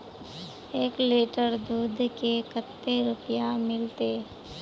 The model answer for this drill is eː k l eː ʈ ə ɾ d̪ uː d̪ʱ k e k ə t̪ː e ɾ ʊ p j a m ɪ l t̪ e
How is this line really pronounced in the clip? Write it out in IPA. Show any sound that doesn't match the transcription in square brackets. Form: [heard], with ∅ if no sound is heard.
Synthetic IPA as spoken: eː k l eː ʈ ə ɾ d̪ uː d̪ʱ k e k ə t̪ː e ɾ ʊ p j a m ɪ l t̪ e